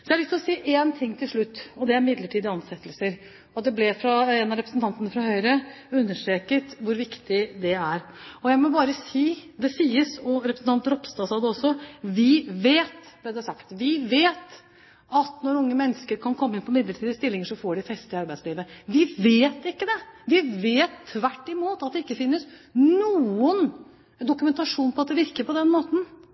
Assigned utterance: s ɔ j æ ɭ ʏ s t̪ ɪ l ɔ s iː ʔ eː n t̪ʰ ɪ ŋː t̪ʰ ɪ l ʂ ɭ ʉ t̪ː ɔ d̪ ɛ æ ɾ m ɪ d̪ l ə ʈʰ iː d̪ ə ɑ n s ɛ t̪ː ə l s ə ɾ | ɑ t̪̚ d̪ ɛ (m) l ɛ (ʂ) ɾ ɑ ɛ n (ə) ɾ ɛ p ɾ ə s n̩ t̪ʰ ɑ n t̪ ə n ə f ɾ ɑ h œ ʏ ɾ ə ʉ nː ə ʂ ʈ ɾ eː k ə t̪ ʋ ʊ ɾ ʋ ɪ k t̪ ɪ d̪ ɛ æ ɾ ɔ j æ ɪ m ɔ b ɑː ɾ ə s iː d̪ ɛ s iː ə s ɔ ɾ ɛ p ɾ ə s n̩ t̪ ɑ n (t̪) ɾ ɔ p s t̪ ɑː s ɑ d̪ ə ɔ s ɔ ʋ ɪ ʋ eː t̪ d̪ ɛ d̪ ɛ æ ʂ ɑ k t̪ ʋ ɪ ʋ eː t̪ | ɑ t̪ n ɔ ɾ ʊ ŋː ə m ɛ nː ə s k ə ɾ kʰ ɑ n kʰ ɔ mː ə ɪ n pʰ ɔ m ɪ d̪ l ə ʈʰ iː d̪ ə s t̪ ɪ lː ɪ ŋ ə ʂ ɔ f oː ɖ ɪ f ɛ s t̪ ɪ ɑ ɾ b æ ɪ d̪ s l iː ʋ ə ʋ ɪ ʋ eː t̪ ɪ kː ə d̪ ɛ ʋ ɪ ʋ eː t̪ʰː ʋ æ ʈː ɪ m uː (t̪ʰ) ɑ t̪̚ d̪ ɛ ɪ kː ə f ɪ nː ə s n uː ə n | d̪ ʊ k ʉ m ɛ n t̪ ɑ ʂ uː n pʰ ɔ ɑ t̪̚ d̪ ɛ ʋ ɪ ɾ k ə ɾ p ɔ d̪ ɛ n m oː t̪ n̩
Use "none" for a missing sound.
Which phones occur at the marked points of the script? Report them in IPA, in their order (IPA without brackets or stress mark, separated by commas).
b, f, ɑ, t̪, t̪